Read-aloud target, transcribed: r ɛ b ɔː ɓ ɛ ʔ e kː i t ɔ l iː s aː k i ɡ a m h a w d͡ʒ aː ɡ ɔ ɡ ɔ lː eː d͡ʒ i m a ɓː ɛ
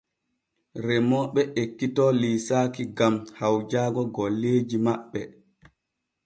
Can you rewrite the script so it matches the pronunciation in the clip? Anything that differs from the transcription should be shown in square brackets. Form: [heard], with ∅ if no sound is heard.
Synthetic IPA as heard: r ɛ [m] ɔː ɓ ɛ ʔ e kː i t ɔ l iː s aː k i ɡ a m h a w d͡ʒ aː ɡ ɔ ɡ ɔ lː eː d͡ʒ i m a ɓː ɛ